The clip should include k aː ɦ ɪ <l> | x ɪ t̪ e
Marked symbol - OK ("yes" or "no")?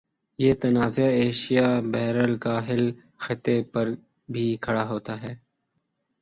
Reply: yes